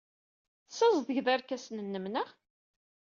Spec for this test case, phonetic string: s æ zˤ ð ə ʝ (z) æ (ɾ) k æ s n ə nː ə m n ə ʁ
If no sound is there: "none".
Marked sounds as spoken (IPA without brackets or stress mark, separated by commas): ð, ɾ